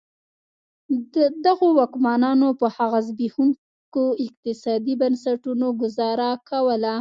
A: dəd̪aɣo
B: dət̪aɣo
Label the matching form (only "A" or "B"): A